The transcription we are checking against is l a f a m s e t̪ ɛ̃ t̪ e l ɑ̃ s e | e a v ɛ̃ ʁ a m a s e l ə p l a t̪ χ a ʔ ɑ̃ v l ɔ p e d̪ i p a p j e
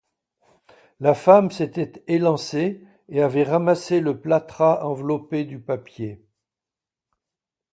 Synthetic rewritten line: l a f a m s e t̪ ɛ t̪ e l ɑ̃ s e | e a v ɛ ʁ a m a s e l ə p l a t̪ χ a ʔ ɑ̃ v l ɔ p e d̪ y p a p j e